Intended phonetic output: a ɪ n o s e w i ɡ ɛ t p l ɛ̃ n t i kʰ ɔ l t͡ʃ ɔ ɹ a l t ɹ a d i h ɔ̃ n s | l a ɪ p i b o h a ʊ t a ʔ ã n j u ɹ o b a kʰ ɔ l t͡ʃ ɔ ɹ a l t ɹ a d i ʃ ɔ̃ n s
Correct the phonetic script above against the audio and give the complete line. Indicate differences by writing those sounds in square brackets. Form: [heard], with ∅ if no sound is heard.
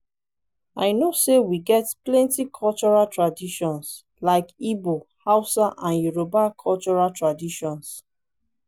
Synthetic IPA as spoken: a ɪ n o s e w i ɡ ɛ t p l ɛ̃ n t i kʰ ɔ l t͡ʃ ɔ ɹ a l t ɹ a d i [ʃ] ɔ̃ n s | l a ɪ [k] i b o h a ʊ [s] a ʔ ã n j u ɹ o b a kʰ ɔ l t͡ʃ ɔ ɹ a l t ɹ a d i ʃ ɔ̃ n s